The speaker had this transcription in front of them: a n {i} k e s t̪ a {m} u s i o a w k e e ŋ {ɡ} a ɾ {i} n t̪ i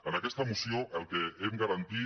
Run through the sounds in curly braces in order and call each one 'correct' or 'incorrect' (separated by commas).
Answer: incorrect, correct, correct, incorrect